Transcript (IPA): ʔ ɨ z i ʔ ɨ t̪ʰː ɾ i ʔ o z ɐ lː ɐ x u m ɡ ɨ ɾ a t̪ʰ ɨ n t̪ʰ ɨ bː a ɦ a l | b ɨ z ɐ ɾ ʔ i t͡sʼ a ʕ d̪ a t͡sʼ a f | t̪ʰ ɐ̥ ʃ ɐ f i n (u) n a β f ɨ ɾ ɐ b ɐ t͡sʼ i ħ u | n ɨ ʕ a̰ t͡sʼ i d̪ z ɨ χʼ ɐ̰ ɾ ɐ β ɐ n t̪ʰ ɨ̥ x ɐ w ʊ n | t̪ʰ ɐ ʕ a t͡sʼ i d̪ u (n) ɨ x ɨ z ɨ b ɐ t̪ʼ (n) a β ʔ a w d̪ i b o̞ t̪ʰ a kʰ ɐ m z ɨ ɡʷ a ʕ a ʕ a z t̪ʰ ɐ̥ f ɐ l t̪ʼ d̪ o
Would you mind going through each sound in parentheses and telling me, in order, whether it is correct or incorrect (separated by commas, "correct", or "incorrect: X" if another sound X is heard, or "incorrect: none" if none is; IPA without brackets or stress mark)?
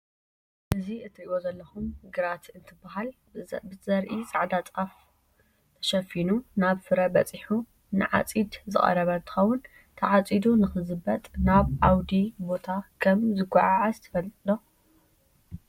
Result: correct, correct, correct